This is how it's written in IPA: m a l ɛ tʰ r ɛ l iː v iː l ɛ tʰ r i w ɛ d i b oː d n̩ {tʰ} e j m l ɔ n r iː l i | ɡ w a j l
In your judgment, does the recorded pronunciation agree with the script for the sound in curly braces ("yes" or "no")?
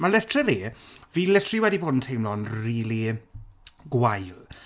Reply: yes